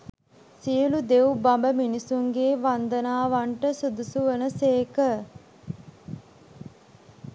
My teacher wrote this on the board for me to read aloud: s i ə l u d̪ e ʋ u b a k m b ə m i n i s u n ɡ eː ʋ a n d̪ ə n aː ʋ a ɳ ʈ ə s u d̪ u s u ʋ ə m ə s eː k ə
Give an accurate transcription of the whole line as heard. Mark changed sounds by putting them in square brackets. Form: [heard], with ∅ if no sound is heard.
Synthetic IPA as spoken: s i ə l u d̪ e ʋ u b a [∅] m b ə m i n i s u [ŋ] ɡ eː ʋ a n d̪ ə n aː ʋ a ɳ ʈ ə s u d̪ u s u ʋ ə [n] ə s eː k ə